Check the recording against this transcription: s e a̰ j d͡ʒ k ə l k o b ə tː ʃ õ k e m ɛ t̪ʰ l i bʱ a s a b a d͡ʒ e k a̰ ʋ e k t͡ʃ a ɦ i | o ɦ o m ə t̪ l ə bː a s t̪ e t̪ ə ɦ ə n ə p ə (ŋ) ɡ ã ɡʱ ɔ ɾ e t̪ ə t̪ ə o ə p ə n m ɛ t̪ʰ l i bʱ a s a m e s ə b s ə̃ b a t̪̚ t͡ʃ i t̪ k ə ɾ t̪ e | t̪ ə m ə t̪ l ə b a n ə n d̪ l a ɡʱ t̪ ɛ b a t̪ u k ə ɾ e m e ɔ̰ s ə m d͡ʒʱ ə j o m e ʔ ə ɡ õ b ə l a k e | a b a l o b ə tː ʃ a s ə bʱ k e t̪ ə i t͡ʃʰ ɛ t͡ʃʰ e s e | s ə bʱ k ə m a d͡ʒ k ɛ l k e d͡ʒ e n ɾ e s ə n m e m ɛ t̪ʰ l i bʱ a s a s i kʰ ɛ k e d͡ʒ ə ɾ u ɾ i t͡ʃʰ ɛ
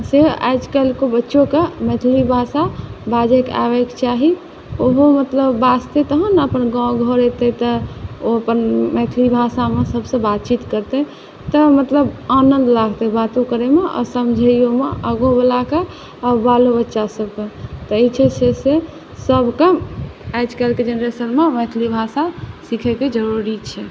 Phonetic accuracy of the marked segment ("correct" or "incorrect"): incorrect